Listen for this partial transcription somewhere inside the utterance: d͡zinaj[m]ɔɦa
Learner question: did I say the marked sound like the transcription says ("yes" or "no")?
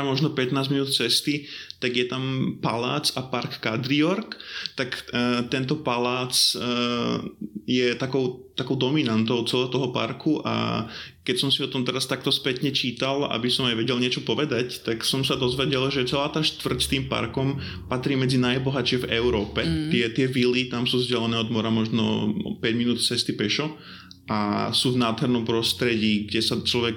no